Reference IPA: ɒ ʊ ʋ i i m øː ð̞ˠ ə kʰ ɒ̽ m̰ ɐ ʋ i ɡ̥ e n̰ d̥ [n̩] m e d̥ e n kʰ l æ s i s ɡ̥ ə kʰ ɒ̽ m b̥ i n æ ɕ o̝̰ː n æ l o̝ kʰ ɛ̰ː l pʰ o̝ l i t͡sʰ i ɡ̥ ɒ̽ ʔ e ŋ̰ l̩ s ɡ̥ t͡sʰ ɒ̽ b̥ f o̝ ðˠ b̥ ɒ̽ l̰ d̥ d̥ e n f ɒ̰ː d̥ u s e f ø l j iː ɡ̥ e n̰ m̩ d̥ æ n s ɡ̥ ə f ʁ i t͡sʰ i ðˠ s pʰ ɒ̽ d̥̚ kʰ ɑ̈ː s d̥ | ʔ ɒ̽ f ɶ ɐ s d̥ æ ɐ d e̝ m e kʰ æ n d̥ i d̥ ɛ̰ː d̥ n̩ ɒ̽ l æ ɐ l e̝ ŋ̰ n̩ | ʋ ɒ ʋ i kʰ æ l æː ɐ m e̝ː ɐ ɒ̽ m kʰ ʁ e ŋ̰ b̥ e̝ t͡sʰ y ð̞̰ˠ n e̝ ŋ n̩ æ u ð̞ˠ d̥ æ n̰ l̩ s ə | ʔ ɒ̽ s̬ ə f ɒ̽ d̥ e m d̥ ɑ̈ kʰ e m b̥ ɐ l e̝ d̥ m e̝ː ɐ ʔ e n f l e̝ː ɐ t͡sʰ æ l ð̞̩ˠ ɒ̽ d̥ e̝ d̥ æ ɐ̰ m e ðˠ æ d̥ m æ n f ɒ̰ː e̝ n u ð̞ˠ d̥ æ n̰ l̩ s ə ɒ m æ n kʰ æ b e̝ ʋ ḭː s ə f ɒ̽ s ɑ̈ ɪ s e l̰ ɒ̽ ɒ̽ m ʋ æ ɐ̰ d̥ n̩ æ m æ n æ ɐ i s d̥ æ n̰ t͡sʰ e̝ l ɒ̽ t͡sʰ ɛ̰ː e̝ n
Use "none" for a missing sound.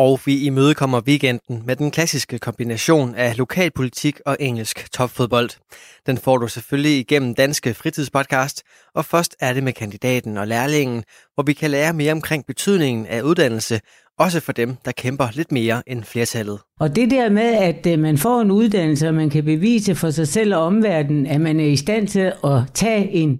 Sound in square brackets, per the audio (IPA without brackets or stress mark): n̩